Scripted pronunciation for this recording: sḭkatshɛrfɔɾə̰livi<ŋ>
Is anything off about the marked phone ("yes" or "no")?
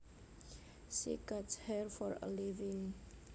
no